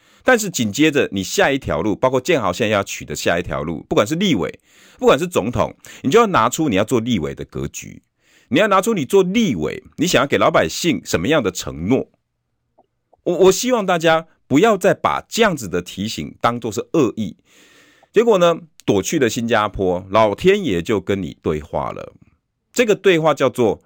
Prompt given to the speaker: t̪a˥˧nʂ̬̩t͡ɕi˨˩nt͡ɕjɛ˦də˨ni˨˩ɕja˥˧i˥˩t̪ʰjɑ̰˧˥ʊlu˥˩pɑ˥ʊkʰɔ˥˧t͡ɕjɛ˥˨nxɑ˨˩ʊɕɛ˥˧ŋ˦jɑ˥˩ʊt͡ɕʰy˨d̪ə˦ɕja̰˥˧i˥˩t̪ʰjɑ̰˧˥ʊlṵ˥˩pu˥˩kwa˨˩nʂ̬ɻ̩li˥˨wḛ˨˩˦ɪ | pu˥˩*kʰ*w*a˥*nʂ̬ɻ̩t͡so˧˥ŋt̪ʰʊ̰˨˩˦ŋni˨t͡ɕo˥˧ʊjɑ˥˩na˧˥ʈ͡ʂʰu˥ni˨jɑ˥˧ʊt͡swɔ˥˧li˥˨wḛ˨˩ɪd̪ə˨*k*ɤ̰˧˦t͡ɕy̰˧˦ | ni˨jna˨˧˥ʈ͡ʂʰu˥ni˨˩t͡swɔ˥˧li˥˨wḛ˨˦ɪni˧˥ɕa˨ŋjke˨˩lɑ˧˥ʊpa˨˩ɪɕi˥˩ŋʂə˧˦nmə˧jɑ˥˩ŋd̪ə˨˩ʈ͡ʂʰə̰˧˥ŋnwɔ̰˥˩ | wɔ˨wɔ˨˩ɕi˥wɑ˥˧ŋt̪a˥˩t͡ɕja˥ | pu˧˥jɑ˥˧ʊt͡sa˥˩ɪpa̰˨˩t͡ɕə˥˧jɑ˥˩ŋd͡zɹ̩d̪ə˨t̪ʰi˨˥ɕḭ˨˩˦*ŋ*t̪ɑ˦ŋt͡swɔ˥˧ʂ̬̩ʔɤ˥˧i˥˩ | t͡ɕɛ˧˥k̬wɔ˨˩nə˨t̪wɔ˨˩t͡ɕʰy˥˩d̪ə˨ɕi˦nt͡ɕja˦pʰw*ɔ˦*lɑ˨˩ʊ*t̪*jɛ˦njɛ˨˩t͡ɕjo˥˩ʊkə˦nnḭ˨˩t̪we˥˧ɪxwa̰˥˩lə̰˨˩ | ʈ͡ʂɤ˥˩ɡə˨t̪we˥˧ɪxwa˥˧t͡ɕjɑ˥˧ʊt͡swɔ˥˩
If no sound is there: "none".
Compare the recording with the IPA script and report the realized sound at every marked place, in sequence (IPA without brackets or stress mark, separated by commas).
k, a˨˩, k, ŋ, ɔ˦, t̪ʰ